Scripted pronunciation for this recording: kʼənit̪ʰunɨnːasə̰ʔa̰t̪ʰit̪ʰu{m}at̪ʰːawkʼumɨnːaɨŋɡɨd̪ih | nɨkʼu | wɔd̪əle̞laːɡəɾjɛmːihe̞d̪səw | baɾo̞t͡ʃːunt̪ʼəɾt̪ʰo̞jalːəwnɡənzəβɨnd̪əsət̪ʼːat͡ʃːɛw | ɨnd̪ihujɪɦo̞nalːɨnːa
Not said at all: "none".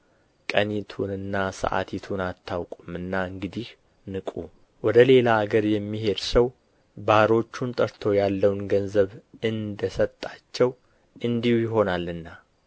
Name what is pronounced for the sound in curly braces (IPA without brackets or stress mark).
n